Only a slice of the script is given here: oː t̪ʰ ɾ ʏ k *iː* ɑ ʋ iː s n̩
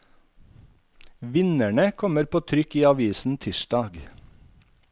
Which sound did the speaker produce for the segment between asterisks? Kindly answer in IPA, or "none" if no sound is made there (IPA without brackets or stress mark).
iː